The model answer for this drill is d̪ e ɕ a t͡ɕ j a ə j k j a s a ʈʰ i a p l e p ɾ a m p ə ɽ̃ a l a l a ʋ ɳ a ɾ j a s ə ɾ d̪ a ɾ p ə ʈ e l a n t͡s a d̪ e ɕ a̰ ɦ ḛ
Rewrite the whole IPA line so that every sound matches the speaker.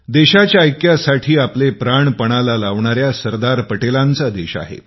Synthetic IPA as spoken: d̪ e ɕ a t͡ɕ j a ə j k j a s a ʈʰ iː a p l e p ɾ a ɳ p ə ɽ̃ a l a l a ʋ ɳ a ɾ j a s ə ɾ d̪ a ɾ p ə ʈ e l a n t͡s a d̪ e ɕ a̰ ɦ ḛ